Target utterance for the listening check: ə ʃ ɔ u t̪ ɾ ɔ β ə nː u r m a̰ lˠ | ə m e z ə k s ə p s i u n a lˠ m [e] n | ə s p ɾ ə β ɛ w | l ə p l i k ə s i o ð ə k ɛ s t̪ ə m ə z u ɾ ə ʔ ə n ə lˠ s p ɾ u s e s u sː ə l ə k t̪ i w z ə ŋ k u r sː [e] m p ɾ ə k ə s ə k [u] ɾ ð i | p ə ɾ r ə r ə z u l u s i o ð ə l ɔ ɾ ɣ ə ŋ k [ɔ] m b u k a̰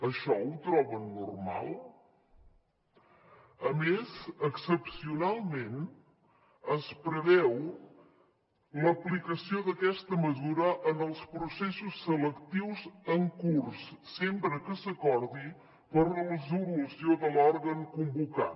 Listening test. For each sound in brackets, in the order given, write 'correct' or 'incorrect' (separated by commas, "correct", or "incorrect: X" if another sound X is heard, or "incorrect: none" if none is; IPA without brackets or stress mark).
correct, correct, incorrect: ɔ, incorrect: u